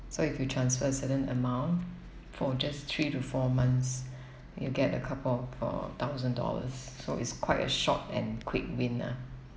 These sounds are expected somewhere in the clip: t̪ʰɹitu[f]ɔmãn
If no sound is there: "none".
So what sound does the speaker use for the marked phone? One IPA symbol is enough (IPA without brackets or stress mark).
f